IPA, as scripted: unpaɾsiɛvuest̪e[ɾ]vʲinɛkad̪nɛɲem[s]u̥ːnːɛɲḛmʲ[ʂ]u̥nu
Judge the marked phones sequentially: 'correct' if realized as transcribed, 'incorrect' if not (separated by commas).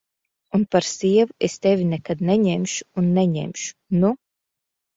incorrect, incorrect, incorrect